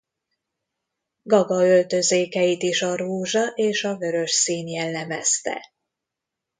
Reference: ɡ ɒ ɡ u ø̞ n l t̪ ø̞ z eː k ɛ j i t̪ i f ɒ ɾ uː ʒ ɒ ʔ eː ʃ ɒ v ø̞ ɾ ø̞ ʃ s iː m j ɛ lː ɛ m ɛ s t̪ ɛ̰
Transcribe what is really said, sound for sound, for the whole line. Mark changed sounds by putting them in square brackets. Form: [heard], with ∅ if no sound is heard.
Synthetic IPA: ɡ ɒ ɡ [ɒ] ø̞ [∅] l t̪ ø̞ z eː k ɛ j i t̪ i [ʃ] ɒ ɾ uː ʒ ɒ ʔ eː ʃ ɒ v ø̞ ɾ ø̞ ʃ s iː [n] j ɛ lː ɛ m ɛ s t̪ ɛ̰